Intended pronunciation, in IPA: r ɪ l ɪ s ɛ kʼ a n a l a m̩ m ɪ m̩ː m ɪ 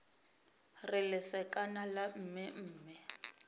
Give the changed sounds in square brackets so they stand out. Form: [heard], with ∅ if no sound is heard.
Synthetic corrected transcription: r ɪ l ɪ s ɛ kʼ a n a l a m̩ m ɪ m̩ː m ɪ